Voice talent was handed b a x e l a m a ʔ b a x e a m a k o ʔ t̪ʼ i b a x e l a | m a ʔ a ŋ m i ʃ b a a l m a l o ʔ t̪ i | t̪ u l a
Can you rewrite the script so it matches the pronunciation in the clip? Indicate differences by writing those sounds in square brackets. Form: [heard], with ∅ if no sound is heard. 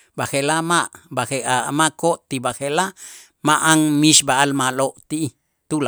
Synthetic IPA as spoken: b a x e l a m a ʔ b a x e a m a k o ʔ [t̪] i b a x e l a | m a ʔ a ŋ m i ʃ b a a l m a l o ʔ t̪ i | t̪ u l a